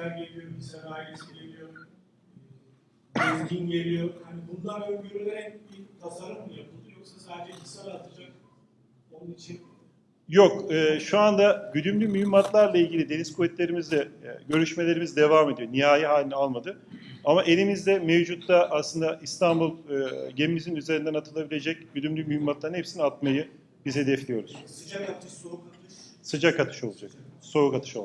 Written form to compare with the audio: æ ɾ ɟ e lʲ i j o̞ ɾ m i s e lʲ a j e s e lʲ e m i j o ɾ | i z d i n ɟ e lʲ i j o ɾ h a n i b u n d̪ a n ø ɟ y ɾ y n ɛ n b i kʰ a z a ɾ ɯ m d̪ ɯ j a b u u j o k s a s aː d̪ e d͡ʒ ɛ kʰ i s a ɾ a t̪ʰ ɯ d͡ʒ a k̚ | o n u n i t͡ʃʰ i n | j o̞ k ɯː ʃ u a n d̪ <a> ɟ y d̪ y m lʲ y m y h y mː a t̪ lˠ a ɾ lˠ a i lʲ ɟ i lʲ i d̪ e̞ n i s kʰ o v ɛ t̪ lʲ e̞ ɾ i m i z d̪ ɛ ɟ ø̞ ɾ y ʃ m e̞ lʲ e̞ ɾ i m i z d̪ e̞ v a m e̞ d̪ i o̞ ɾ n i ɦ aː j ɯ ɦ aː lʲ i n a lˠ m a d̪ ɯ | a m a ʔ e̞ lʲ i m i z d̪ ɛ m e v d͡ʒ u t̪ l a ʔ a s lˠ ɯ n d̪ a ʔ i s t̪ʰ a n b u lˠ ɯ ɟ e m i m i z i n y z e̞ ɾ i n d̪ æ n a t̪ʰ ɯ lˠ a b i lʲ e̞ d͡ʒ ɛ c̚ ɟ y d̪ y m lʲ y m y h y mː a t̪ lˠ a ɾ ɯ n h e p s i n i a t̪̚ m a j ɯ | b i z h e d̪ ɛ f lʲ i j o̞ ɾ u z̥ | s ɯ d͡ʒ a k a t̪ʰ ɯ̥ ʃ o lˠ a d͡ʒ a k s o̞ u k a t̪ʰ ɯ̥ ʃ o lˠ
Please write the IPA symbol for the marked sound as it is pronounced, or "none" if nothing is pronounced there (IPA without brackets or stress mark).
a